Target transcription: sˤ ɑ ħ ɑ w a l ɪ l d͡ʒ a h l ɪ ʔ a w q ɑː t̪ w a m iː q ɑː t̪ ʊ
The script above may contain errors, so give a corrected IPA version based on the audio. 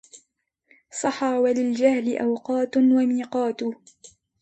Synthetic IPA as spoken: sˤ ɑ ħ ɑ w a l ɪ l d͡ʒ a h l ɪ ʔ a w q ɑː t̪ w a m iː q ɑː t̪ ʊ